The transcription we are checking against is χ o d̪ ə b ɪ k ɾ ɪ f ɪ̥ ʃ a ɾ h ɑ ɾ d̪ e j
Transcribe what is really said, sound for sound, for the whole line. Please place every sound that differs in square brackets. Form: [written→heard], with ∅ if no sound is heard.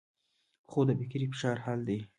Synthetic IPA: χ o d̪ ə b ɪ k ɾ [ɪ→i] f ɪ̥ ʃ [a→ɑ] ɾ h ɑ [ɾ→l] d̪ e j